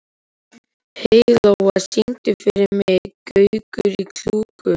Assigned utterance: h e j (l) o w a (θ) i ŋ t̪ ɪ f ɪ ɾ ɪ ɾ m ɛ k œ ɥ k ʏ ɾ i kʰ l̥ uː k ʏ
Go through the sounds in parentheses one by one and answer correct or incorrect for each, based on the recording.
correct, incorrect

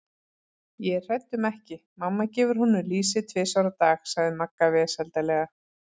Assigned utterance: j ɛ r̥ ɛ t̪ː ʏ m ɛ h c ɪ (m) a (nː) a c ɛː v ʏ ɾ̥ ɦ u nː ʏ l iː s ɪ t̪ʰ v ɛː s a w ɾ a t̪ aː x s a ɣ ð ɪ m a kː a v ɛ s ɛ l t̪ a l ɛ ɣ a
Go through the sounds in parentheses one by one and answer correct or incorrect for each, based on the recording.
correct, incorrect

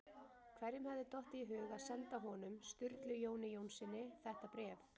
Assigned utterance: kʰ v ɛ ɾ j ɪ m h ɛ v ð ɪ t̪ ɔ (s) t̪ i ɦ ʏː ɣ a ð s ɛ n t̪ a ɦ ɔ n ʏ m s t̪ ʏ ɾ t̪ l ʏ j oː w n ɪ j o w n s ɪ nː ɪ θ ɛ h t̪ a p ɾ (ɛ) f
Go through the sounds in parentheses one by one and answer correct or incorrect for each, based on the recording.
incorrect, incorrect

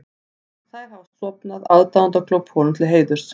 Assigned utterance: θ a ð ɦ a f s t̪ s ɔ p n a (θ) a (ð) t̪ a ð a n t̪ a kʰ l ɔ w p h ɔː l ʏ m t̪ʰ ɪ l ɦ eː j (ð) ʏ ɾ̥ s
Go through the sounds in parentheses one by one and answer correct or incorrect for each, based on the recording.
incorrect, correct, correct

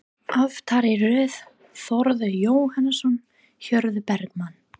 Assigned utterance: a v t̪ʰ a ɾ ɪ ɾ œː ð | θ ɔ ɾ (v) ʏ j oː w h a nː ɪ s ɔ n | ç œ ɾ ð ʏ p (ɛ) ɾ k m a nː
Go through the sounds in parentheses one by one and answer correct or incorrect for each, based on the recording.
incorrect, correct

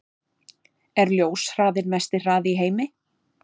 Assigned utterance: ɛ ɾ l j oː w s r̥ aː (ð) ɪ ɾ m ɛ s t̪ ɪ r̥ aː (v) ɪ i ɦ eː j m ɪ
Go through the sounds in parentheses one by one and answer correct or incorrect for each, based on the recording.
correct, incorrect

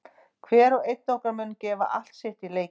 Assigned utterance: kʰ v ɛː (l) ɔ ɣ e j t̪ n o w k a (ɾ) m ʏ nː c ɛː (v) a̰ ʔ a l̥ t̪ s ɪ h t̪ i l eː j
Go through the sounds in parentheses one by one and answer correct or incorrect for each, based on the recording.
incorrect, correct, correct

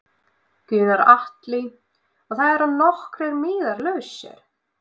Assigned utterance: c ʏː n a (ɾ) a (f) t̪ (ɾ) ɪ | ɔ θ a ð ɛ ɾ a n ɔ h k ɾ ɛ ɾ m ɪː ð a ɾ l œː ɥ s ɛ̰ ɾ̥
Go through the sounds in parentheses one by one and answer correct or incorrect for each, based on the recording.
correct, incorrect, incorrect

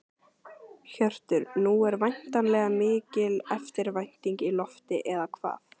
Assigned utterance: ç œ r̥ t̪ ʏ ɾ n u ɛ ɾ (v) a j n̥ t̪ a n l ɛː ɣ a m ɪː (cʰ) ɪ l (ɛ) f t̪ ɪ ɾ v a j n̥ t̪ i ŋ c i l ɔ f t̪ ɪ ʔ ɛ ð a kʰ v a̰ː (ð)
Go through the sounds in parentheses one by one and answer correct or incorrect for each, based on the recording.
correct, incorrect, correct, incorrect

